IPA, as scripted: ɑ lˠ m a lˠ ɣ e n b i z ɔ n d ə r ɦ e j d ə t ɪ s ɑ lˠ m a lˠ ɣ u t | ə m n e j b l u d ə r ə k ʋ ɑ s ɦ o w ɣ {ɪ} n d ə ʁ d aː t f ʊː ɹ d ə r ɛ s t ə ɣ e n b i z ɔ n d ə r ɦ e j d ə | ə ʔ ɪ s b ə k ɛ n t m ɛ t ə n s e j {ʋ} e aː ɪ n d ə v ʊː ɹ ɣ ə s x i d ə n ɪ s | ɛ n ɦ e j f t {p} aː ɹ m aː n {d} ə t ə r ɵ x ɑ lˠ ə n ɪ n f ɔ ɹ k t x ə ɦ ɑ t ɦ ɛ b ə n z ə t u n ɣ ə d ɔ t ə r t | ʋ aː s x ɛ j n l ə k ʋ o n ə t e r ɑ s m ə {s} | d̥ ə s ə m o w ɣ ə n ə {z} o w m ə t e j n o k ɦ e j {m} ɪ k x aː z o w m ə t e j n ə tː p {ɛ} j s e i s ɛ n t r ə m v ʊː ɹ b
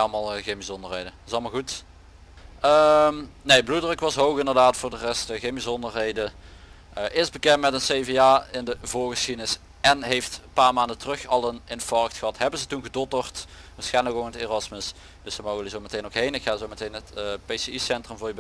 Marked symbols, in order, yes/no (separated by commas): yes, no, yes, yes, yes, yes, no, no